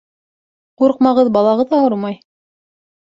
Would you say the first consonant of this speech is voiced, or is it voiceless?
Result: voiceless